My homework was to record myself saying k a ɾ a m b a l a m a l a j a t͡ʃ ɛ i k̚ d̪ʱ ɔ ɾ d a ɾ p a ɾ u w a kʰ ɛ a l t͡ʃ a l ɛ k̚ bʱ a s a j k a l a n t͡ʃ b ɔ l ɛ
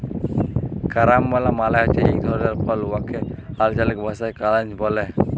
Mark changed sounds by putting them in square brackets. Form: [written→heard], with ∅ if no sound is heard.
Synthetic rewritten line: k a ɾ a m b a l a m a l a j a t͡ʃ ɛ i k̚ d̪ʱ ɔ ɾ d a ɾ p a [ɾ→l] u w a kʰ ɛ a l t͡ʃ a l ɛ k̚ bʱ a s a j k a l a n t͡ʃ b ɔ l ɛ